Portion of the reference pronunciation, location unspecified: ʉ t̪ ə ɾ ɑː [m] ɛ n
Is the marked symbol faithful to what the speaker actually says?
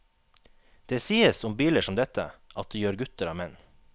yes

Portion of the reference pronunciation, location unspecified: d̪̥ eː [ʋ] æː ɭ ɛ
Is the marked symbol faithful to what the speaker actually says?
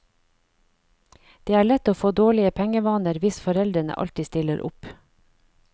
no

